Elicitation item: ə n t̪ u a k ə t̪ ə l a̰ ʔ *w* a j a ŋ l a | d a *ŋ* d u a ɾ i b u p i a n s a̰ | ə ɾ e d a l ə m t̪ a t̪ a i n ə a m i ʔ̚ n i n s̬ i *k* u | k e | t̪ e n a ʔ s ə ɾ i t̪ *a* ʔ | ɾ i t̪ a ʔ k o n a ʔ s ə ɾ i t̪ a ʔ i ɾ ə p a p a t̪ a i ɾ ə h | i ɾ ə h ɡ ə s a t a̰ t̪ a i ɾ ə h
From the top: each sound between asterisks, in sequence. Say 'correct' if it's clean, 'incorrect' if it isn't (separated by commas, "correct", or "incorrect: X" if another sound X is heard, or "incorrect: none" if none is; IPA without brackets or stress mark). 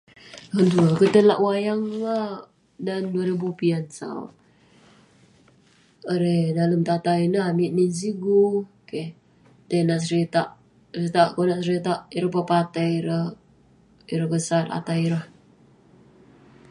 correct, incorrect: n, incorrect: ɡ, correct